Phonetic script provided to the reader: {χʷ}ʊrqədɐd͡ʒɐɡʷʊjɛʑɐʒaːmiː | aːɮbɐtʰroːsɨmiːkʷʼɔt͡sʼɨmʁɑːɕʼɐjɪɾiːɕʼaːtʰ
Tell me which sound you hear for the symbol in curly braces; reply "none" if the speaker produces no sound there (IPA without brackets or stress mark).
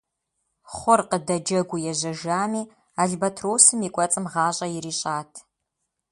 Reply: χʷ